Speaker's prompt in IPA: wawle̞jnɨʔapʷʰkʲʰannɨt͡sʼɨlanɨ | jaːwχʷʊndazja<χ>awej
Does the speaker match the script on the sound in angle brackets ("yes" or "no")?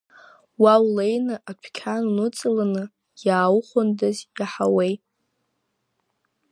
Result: no